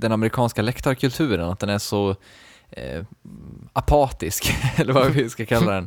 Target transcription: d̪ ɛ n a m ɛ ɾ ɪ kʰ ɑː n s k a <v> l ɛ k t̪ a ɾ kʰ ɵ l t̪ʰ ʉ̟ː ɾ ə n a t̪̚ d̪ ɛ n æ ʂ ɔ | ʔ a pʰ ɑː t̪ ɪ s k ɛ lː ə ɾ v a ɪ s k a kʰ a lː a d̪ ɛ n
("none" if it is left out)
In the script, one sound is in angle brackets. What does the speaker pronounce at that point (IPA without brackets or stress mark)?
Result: none